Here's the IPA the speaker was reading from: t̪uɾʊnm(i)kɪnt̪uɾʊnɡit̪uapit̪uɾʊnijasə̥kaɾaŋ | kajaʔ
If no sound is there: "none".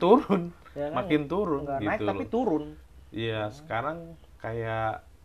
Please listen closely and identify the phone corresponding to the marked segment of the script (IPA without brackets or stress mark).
a